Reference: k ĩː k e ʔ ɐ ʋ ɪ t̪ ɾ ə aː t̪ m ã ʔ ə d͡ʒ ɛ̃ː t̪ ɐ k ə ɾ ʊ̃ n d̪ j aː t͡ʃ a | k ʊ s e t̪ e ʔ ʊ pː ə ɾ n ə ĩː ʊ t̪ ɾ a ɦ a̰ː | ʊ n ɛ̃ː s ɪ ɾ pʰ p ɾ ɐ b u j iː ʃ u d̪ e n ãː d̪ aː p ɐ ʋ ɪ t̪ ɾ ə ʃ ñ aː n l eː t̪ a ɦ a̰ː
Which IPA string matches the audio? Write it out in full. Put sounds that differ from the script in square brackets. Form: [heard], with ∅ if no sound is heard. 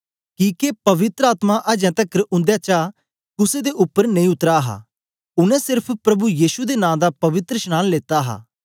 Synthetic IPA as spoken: k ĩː k e [p] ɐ ʋ ɪ t̪ ɾ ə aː t̪ m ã ʔ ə d͡ʒ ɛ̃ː t̪ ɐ k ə ɾ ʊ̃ n d̪ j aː t͡ʃ a | k ʊ s e [d̪] e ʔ ʊ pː ə ɾ n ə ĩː ʊ t̪ ɾ a ɦ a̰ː | ʊ n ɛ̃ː s ɪ ɾ pʰ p ɾ ɐ b u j iː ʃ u d̪ e n ãː d̪ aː p ɐ ʋ ɪ t̪ ɾ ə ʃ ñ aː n l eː t̪ a ɦ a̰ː